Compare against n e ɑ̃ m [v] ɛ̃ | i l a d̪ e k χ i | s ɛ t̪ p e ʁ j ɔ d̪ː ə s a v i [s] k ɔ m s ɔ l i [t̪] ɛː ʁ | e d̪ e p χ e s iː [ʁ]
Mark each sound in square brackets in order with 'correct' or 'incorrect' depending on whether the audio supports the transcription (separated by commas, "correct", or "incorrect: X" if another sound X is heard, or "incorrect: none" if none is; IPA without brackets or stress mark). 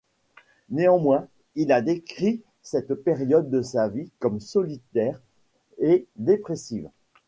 incorrect: w, incorrect: none, correct, incorrect: v